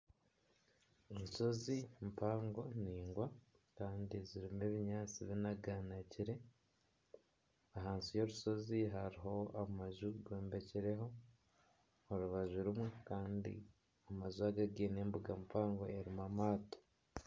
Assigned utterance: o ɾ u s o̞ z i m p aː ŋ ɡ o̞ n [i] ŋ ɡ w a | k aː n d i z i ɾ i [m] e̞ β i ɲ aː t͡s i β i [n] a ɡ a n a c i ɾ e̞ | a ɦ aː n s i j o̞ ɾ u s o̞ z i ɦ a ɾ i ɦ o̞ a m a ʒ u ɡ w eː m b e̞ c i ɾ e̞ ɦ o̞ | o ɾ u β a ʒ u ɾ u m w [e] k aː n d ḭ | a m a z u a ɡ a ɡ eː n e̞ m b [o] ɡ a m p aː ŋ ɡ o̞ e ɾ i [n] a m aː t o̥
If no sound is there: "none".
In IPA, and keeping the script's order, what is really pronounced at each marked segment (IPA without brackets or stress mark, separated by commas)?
iː, m, n, e, u, m